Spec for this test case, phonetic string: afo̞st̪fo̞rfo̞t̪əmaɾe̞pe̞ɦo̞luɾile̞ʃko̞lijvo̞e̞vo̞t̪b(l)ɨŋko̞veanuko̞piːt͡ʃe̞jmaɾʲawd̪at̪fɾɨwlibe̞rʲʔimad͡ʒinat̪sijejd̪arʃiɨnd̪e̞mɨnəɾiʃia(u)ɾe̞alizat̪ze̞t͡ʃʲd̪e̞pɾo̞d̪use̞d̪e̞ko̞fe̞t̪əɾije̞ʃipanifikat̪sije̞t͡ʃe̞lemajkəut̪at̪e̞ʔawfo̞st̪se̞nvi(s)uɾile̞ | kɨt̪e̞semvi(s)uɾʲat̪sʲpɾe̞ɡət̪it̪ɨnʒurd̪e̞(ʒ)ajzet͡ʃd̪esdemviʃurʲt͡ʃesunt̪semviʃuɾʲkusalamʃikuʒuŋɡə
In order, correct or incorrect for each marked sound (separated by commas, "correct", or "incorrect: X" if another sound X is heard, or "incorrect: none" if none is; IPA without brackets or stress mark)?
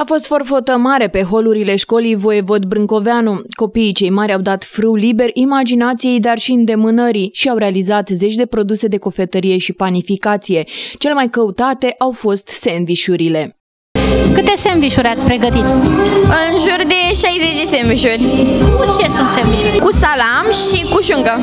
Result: incorrect: ɾ, incorrect: w, incorrect: ʃ, incorrect: ʃ, incorrect: ʃ